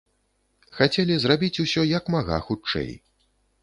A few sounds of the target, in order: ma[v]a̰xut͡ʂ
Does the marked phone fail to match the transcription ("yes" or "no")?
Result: yes